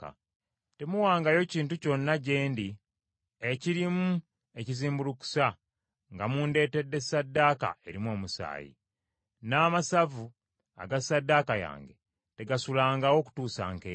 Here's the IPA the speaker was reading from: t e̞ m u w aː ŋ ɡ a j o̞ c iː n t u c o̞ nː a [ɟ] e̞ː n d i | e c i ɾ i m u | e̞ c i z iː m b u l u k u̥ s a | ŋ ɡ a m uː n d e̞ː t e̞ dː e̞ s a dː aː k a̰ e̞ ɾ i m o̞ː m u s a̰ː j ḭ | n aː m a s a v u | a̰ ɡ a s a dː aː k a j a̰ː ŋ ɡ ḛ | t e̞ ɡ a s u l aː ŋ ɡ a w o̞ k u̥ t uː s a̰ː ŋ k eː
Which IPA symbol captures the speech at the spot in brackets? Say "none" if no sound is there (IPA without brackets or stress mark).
ɟ